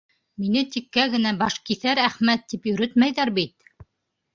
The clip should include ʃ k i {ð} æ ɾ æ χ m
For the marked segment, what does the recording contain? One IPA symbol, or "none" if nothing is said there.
θ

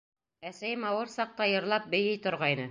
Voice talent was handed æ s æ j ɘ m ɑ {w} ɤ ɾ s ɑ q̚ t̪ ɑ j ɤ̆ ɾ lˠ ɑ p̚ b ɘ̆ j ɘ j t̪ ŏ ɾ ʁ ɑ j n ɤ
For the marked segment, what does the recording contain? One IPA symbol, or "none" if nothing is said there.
w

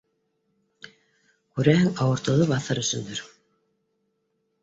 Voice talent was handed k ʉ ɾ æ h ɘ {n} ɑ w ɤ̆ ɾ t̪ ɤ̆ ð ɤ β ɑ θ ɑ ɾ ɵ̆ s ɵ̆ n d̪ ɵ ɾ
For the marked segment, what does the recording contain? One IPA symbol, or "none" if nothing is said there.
ŋ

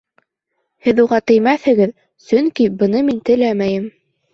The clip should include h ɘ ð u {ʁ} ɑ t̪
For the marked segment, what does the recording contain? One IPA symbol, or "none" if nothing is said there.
ʁ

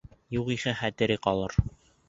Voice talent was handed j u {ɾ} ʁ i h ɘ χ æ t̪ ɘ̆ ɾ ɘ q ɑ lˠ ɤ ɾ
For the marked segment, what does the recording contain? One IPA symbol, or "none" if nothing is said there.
none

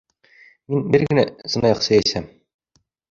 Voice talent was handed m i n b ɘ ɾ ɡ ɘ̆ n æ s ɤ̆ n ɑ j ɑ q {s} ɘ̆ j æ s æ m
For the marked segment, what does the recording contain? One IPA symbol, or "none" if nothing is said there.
s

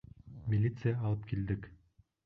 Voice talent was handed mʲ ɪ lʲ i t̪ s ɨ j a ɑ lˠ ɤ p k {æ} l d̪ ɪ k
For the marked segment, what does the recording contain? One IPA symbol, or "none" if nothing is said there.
i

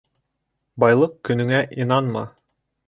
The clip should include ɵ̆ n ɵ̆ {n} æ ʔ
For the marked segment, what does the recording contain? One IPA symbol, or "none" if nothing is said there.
ŋ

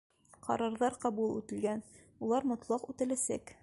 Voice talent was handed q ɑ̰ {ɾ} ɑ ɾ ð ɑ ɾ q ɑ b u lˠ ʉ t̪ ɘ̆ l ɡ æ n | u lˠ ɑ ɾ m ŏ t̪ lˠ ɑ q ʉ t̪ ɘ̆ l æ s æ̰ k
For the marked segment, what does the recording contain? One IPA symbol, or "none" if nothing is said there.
ɾ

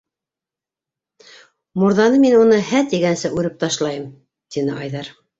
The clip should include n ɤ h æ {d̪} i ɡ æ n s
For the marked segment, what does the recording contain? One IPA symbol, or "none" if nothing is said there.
t̪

